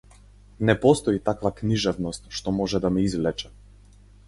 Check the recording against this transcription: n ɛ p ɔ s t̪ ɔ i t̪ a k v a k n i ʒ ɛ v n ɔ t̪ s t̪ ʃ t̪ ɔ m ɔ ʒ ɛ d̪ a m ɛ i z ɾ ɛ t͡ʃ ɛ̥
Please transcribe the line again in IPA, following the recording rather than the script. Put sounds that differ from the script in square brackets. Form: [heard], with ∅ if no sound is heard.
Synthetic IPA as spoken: n ɛ p ɔ s t̪ ɔ i t̪ a k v a k n i ʒ ɛ v n ɔ [∅] s t̪ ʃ t̪ ɔ m ɔ ʒ ɛ d̪ a m ɛ i z [l] ɛ t͡ʃ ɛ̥